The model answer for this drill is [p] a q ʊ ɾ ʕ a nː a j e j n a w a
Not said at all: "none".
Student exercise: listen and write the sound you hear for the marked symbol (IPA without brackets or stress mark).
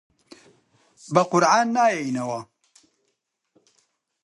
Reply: b